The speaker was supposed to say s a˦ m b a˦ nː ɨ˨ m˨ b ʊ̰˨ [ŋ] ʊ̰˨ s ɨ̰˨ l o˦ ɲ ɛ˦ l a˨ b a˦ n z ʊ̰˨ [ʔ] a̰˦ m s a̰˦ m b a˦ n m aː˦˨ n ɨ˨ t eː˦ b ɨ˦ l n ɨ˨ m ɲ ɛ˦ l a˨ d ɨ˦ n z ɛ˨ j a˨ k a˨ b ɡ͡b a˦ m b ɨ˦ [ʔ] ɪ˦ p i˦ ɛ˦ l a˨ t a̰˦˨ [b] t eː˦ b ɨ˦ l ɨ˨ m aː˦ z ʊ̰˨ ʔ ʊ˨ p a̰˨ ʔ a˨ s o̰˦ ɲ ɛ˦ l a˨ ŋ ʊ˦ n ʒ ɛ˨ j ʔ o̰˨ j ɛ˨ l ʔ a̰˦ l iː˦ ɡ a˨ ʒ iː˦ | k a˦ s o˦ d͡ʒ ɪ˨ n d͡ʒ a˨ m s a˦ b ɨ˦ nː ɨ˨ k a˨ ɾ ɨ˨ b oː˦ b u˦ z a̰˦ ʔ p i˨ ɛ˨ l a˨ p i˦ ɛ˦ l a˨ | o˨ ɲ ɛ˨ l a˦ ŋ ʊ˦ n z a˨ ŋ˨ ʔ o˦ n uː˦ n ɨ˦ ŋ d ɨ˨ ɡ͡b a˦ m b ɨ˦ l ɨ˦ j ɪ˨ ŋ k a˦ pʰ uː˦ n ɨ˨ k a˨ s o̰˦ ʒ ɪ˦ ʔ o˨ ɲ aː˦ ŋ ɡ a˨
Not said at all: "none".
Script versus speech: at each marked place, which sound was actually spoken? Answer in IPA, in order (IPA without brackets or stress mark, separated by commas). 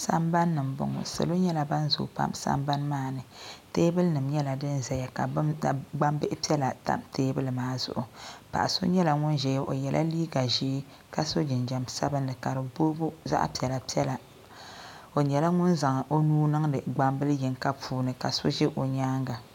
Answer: ŋ, p, ʔ, m